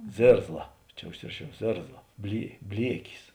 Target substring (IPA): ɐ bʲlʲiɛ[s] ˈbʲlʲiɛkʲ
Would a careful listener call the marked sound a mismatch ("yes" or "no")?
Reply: yes